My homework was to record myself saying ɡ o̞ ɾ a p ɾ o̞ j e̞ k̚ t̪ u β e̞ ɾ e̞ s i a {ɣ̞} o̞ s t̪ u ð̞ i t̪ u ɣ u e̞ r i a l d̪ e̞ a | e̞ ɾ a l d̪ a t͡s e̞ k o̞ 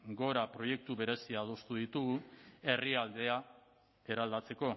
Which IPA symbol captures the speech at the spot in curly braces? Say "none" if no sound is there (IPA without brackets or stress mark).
ð̞